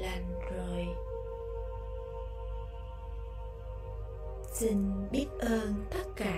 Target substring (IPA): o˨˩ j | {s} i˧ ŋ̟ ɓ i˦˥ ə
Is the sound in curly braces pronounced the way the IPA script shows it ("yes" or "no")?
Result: yes